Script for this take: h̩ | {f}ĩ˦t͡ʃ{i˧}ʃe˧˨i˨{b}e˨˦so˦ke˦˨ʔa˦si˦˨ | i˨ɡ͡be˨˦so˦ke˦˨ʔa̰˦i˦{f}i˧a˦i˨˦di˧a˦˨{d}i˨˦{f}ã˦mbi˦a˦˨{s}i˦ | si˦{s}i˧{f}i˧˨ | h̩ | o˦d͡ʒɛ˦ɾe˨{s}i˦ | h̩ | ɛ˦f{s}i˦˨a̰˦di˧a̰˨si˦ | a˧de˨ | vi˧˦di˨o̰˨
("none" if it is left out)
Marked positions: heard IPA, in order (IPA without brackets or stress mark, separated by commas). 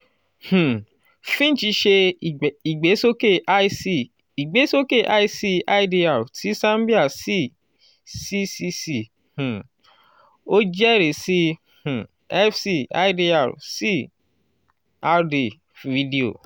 f, i˧, ɡ͡b, s, t, s, s, s, s, s, s